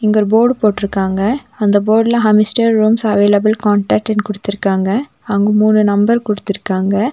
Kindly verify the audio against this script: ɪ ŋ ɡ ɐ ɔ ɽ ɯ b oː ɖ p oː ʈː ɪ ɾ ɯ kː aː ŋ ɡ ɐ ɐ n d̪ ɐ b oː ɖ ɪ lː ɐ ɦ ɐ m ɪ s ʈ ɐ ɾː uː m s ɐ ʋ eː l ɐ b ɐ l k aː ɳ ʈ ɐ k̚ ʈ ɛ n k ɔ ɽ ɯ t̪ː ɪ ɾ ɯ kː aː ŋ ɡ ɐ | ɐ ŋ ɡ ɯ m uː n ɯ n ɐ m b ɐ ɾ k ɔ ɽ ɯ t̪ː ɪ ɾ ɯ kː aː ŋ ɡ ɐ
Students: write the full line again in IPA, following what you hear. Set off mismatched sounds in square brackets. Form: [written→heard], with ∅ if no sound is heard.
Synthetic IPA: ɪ ŋ ɡ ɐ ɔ [ɽ→ɾ] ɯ b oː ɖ p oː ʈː ɪ ɾ ɯ kː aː ŋ ɡ ɐ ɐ n d̪ ɐ b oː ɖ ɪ [lː→l] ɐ ɦ ɐ m ɪ s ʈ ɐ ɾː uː m s ɐ ʋ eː l ɐ b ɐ l k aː ɳ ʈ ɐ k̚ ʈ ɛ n k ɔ ɽ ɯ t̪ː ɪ ɾ ɯ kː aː ŋ ɡ ɐ | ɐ ŋ ɡ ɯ m uː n ɯ n ɐ m b ɐ ɾ k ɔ ɽ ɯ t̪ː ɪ ɾ ɯ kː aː ŋ ɡ ɐ